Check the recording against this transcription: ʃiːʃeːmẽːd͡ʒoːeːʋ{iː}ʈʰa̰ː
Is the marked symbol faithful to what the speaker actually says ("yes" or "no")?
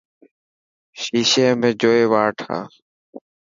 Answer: no